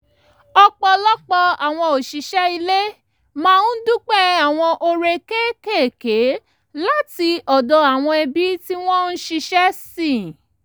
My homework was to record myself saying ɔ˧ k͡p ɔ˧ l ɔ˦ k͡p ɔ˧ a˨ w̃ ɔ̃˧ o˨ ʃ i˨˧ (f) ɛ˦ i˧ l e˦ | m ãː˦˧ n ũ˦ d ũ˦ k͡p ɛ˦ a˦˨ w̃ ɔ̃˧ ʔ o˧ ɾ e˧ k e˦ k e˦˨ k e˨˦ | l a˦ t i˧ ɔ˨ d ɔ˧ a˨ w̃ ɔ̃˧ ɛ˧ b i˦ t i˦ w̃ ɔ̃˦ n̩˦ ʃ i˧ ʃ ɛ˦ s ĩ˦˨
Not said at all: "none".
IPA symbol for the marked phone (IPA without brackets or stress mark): ʃ